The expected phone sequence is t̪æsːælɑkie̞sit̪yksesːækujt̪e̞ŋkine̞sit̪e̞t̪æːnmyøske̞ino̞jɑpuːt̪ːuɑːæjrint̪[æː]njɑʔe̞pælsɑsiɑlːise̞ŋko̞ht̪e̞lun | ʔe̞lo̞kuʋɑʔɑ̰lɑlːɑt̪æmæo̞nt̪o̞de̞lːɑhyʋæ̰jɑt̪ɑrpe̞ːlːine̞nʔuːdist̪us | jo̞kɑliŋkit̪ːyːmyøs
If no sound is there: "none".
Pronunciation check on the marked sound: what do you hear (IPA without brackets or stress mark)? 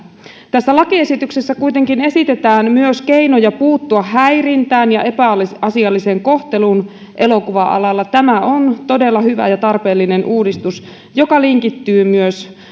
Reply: æː